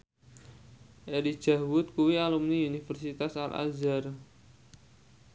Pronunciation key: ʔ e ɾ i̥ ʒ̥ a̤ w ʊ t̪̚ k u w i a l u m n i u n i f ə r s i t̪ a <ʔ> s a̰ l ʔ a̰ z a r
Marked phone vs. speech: incorrect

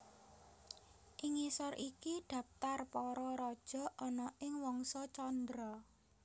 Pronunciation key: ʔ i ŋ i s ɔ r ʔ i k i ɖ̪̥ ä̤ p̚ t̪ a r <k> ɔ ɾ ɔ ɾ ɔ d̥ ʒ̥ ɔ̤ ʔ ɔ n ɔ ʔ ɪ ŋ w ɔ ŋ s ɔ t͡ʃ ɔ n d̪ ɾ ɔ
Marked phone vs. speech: incorrect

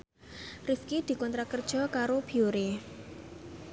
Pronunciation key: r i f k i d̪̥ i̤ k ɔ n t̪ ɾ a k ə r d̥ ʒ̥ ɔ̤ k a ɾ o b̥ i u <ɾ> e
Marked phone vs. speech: correct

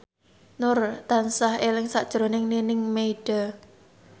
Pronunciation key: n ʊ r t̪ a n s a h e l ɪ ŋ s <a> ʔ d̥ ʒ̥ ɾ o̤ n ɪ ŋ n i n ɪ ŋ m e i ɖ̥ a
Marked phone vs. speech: correct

